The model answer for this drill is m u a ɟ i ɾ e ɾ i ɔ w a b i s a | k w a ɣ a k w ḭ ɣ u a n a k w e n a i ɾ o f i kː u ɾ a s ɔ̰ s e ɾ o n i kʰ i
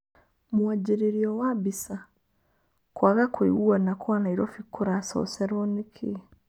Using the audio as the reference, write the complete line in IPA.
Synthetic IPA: m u a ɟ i ɾ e ɾ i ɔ w a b i s a | k w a ɣ a k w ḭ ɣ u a n a k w a n a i ɾ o f i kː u ɾ a s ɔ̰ s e ɾ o n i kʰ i